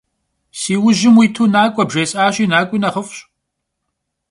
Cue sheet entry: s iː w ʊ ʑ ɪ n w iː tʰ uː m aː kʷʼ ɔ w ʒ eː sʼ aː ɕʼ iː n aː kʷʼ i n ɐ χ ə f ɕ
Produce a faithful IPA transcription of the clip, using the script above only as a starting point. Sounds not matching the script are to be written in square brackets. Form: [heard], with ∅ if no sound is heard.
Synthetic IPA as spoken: s iː w ʊ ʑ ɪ [m] w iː tʰ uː [n] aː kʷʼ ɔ [b] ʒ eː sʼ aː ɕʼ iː n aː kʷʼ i n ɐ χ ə f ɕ